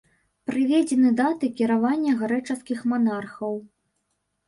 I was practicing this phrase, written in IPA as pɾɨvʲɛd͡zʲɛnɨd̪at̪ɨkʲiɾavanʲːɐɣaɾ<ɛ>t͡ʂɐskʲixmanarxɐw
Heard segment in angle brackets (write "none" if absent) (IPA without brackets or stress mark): ɛ